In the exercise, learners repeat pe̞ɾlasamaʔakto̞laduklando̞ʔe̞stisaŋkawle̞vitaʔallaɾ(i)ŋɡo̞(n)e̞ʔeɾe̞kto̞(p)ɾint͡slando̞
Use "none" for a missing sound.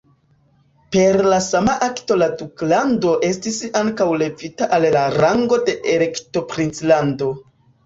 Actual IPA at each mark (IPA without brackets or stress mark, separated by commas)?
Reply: a, d, p